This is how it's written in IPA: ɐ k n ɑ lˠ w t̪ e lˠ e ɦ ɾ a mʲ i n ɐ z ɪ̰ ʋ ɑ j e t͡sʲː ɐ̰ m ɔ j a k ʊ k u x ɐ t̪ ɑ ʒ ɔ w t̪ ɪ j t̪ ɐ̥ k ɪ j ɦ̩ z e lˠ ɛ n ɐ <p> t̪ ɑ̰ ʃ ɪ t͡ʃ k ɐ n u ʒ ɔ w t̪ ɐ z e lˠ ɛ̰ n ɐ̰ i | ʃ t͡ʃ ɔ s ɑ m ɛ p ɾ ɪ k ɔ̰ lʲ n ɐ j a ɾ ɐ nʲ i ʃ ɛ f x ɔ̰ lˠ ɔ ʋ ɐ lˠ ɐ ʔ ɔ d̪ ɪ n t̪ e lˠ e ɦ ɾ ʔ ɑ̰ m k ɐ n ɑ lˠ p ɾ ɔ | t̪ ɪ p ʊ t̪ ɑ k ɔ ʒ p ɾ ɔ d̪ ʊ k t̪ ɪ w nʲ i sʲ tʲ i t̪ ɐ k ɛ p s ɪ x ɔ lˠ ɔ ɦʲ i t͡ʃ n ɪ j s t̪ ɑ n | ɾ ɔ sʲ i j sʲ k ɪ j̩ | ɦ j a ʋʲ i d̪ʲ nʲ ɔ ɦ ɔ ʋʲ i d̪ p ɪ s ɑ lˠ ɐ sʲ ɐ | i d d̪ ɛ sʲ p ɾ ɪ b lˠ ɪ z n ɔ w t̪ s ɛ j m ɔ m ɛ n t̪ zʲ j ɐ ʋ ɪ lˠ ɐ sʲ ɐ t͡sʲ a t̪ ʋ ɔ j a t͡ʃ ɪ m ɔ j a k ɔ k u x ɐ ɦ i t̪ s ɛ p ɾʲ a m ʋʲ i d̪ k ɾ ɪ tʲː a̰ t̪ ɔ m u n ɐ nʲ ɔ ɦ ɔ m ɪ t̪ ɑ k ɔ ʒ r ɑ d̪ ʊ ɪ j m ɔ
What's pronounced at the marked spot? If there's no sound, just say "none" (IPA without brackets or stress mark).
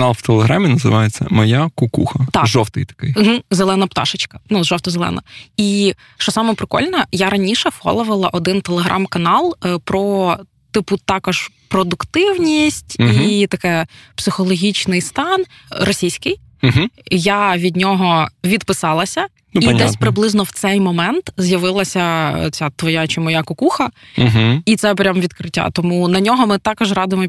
p